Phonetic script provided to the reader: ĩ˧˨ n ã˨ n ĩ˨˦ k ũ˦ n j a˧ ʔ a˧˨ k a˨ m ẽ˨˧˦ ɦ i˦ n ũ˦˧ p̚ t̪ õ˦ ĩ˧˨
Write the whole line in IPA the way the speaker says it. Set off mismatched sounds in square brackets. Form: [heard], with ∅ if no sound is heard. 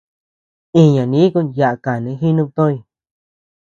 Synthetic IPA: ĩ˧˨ [ɲ] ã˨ n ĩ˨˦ k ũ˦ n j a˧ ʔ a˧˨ k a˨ [n] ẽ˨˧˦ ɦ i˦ n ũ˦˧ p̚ t̪ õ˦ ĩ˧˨